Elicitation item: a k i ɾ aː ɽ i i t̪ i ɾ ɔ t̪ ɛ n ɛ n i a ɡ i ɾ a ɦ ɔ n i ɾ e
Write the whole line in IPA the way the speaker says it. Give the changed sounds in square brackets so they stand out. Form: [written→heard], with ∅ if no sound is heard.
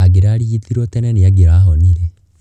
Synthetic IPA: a [k→ɡ] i ɾ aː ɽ i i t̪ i ɾ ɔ t̪ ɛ n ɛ n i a ɡ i ɾ a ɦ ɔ n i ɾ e